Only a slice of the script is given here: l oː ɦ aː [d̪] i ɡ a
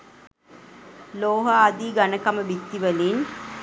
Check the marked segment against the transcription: correct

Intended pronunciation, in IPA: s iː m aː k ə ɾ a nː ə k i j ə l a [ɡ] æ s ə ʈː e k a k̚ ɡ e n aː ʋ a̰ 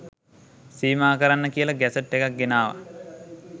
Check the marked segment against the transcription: correct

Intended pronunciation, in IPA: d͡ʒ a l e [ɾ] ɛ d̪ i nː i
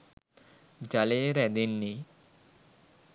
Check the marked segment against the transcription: correct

